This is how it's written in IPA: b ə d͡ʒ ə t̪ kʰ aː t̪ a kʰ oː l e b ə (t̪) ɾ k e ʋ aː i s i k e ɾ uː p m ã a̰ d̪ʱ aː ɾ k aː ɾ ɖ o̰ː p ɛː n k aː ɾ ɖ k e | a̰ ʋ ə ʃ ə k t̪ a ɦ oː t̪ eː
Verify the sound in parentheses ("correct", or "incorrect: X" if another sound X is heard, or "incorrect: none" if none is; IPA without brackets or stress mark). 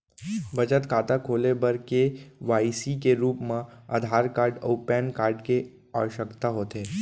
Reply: incorrect: none